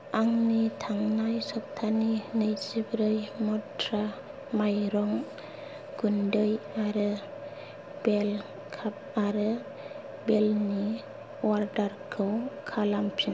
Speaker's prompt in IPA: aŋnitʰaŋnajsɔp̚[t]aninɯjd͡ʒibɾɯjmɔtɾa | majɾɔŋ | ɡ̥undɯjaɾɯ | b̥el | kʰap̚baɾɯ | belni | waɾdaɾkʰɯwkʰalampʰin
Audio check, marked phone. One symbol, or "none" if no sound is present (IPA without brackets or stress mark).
tʰ